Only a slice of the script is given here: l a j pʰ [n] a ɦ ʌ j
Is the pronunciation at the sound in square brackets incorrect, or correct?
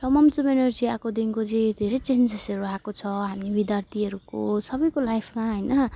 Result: incorrect